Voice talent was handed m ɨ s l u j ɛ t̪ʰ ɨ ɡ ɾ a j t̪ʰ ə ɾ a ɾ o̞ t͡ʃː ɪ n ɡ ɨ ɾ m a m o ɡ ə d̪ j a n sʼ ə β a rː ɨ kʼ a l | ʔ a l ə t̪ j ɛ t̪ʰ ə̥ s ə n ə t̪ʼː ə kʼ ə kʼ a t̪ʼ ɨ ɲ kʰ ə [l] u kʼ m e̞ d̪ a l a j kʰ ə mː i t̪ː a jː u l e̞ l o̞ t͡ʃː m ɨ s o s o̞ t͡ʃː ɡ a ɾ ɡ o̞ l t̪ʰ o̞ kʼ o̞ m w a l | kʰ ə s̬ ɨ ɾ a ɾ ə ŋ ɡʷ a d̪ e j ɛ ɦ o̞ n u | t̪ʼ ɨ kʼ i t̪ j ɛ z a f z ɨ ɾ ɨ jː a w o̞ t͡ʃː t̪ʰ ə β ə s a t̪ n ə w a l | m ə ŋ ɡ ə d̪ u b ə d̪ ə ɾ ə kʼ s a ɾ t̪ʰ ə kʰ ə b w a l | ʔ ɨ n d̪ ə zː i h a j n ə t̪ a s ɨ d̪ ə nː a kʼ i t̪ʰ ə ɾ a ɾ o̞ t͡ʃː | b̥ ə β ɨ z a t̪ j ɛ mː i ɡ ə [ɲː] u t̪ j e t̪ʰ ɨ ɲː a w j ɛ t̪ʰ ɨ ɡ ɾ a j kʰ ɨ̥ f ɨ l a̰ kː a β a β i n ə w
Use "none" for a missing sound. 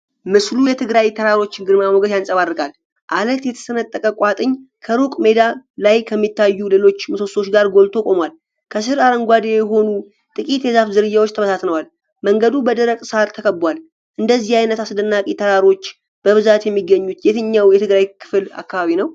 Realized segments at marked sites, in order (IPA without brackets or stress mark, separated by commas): ɾ, ɲː